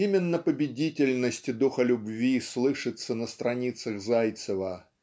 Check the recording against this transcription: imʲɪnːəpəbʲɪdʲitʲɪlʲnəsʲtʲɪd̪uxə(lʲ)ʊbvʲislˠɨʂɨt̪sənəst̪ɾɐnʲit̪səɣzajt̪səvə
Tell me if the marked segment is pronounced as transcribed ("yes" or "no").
yes